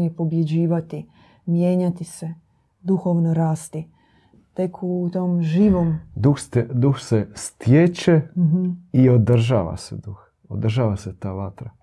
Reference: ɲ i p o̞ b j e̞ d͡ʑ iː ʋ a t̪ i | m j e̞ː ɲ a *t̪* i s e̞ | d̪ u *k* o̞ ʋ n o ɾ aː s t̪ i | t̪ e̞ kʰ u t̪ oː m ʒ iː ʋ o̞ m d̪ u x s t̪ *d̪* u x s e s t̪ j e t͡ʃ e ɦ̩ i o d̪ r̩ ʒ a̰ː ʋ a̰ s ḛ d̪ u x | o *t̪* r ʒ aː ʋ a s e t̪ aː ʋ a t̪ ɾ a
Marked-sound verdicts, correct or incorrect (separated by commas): correct, incorrect, correct, incorrect